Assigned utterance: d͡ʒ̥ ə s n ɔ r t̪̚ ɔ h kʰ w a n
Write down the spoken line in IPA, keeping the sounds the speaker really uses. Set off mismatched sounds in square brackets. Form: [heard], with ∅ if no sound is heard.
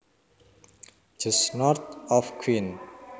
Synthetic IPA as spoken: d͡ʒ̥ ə s n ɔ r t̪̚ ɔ [f] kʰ w [i] n